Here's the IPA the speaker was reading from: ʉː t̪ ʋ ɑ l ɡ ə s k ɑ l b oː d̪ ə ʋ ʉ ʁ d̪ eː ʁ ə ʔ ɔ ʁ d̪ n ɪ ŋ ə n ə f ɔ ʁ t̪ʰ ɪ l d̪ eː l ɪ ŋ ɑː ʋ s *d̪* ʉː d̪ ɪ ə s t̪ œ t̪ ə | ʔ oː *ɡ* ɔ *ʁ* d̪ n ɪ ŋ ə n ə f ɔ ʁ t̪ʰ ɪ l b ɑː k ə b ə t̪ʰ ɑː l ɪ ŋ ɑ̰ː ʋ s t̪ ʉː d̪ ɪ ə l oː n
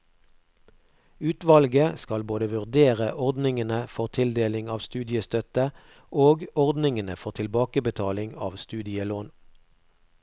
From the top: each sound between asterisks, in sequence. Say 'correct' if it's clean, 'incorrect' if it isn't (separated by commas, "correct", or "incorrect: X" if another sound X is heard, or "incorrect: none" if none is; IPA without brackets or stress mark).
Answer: incorrect: t̪, correct, correct